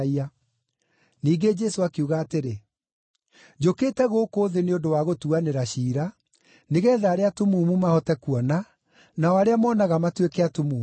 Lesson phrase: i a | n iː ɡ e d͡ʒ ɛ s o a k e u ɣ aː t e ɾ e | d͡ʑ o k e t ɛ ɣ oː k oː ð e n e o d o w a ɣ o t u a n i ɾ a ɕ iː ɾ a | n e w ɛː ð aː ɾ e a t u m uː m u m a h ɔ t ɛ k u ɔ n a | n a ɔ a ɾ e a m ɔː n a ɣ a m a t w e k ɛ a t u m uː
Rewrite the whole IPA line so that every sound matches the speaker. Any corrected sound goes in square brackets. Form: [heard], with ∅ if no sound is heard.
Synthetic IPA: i a | n iː ɡ e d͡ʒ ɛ s o a k e u ɣ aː t e ɾ e | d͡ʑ o k e t ɛ ɣ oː k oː ð e n e o d o w a ɣ o t u a n [e] ɾ a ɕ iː ɾ a | n e [ɣ] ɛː ð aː ɾ e a t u m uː m u m a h ɔ t ɛ k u ɔ n a | n a ɔ a ɾ e a m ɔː n a ɣ a m a t w e k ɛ a t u m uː